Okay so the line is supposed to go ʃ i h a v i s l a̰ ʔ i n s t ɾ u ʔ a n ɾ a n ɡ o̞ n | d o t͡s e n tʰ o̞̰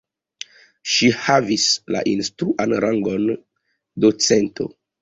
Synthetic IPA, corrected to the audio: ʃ i h a v i s l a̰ ʔ i n s t ɾ u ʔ a n ɾ a ŋ ɡ o̞ n | d o t͡s e n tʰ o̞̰